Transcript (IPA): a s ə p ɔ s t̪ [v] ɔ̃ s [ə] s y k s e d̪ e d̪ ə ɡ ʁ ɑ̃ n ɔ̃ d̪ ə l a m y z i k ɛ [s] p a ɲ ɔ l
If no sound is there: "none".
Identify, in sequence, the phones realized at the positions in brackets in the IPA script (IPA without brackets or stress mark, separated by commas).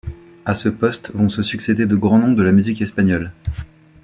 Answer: v, ə, s